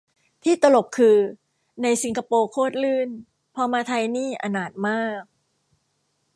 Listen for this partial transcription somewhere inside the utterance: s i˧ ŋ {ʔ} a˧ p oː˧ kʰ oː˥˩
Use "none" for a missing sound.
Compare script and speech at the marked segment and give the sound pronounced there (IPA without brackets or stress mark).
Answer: k